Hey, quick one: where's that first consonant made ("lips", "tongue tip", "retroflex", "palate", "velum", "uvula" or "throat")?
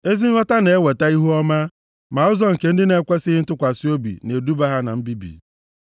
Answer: tongue tip